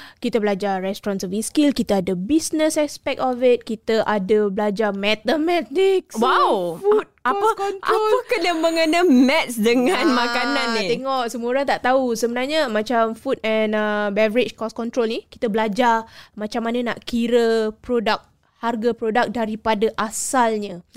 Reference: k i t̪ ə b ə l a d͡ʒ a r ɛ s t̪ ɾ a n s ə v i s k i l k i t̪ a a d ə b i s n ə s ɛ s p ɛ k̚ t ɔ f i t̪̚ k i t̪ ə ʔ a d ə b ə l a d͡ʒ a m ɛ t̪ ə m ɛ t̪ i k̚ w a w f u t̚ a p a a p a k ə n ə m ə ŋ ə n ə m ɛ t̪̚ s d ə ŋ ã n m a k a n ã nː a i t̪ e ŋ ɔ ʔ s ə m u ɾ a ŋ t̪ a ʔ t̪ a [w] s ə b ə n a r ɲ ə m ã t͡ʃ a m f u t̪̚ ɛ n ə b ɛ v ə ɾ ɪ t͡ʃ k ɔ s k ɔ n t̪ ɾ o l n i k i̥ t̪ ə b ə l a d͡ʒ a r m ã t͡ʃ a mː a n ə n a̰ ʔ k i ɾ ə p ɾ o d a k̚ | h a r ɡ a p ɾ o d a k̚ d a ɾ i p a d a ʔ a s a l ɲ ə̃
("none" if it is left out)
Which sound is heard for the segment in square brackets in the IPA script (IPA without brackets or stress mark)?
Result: u